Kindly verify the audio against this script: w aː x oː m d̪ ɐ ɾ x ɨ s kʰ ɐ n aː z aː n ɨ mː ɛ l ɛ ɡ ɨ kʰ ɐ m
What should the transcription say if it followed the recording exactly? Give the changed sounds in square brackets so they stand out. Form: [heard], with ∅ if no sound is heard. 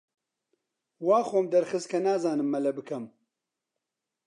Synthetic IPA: w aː x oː m d̪ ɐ ɾ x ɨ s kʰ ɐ n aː z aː n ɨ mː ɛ l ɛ [b] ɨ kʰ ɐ m